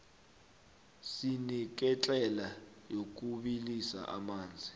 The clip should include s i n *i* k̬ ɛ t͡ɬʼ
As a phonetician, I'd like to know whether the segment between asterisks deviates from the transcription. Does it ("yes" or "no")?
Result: no